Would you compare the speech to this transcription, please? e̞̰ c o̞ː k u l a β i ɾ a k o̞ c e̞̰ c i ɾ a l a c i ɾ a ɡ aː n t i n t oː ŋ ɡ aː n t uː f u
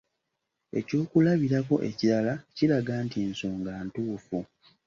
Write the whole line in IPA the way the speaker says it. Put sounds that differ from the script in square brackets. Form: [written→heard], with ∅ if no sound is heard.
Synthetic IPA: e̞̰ c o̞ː k u l a β i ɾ a k o̞ [c→ʔ] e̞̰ c i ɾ a l a c i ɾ a ɡ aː n t i n [t→s] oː ŋ ɡ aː n t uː f u